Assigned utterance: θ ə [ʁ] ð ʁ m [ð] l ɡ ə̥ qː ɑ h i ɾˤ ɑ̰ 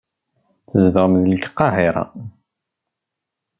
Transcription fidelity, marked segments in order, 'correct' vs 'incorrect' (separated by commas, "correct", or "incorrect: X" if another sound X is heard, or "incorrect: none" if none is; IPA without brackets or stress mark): incorrect: z, correct